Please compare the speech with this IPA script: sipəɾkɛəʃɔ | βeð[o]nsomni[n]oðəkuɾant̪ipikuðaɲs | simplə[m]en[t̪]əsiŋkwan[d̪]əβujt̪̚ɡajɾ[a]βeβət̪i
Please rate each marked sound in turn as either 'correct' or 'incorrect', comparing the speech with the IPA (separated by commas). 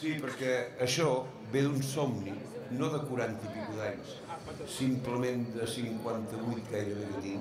incorrect, correct, correct, incorrect, incorrect, incorrect